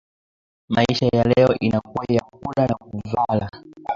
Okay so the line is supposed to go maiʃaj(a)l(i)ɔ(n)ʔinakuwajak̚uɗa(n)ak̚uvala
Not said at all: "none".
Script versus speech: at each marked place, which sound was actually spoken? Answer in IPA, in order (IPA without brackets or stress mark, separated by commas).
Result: a, ɛ, none, n